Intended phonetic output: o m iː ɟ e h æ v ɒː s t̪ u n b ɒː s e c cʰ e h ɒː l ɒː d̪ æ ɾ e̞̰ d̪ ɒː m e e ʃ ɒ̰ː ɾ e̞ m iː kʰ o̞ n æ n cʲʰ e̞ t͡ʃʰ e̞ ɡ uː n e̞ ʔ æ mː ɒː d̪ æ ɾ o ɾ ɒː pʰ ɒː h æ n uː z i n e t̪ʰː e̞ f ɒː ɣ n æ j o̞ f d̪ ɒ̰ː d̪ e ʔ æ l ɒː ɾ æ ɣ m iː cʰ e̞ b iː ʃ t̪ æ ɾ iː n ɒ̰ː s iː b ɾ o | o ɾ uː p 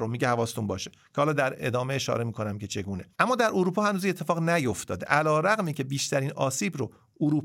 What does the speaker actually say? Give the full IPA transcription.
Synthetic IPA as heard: o m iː ɟ e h æ v ɒː s t̪ u n b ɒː ʃ e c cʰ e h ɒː l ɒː d̪ æ ɾ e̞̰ d̪ ɒː m e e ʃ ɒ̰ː ɾ e̞ m iː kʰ o̞ n æ m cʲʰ e̞ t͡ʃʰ e̞ ɡ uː n e̞ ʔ æ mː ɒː d̪ æ ɾ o ɾ uː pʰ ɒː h æ n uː z i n e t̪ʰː e̞ f ɒː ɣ n æ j o̞ f t̪ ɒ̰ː d̪ e ʔ æ l ɒː ɾ æ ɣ m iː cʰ e̞ b iː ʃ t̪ æ ɾ iː n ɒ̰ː s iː b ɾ o | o ɾ uː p